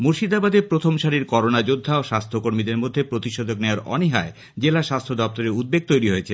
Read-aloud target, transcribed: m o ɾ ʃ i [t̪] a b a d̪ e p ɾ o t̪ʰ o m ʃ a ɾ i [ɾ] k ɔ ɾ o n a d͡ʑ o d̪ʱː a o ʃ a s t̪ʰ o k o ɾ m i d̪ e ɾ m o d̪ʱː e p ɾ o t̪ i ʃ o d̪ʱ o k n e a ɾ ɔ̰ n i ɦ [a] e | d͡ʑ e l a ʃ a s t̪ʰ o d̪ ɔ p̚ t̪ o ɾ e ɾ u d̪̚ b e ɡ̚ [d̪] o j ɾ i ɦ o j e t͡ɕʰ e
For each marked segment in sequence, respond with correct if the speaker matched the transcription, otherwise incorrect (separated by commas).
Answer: incorrect, correct, correct, incorrect